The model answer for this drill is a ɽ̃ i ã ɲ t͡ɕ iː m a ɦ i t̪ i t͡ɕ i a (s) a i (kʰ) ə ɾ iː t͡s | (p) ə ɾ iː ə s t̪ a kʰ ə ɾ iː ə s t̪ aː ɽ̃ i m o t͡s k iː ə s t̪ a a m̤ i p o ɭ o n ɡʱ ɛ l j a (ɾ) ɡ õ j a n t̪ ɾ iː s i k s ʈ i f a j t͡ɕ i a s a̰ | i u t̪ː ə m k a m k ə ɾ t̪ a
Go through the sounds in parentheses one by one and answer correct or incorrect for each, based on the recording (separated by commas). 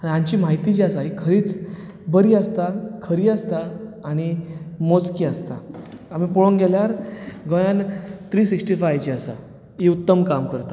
correct, correct, incorrect, correct